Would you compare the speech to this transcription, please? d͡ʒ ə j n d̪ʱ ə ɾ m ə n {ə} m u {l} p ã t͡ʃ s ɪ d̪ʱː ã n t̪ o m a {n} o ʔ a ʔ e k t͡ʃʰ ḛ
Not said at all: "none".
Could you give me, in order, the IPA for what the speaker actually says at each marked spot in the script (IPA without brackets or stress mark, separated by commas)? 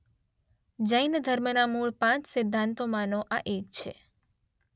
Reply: a, ɭ, n